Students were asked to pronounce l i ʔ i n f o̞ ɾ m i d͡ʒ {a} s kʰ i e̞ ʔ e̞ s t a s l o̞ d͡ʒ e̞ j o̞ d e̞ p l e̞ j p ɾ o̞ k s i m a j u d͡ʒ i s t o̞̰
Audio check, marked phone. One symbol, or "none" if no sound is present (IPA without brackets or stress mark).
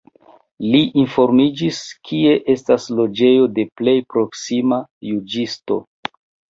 i